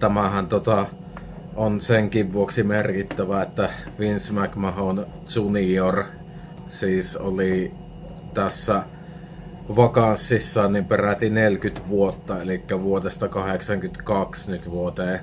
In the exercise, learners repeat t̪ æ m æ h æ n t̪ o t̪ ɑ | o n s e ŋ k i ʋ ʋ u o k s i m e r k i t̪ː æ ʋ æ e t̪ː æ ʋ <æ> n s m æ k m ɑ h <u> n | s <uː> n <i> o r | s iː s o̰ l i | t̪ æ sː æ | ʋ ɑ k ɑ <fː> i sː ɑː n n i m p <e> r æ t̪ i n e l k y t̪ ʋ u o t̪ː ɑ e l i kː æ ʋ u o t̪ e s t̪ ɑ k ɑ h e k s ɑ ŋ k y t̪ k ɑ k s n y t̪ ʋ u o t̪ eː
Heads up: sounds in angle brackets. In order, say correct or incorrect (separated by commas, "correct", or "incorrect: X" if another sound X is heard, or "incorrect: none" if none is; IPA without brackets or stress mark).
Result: incorrect: i, incorrect: o, incorrect: u, correct, incorrect: sː, correct